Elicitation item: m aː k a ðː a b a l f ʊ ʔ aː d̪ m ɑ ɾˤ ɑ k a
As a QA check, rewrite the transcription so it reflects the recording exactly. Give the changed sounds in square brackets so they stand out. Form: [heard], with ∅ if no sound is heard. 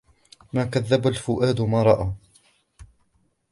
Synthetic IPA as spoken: m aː k a ðː a b a l f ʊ ʔ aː d̪ m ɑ ɾˤ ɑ [ʔ] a